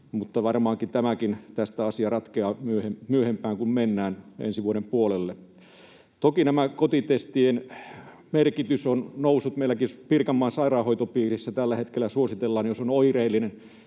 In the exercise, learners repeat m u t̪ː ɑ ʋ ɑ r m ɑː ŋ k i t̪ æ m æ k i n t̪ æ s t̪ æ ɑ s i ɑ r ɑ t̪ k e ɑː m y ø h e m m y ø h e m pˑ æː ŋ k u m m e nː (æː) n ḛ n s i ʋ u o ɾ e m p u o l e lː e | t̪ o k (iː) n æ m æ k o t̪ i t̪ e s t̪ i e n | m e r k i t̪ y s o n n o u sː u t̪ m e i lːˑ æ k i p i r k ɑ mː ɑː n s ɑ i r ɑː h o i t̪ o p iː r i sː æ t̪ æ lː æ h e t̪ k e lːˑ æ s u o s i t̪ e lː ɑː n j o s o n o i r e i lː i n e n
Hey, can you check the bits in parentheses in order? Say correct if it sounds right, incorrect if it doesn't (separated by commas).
correct, incorrect